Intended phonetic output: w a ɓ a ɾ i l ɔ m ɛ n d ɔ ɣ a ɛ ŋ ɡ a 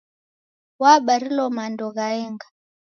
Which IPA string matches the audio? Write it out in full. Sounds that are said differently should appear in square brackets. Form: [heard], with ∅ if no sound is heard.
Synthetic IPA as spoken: w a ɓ a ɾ i l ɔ m [a] n d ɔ ɣ a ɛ ŋ ɡ a